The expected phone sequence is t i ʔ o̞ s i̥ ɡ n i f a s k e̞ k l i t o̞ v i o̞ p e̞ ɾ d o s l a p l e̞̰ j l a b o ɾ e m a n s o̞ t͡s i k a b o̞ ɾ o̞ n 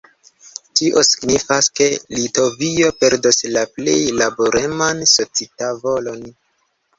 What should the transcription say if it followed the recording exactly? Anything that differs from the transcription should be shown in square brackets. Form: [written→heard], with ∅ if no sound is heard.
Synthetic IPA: t i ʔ o̞ s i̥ ɡ n i f a s k e̞ [k→∅] l i t o̞ v i o̞ p e̞ ɾ d o s l a p l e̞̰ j l a b o ɾ e m a n s o̞ t͡s i [k→t] a [b→v] o̞ [ɾ→l] o̞ n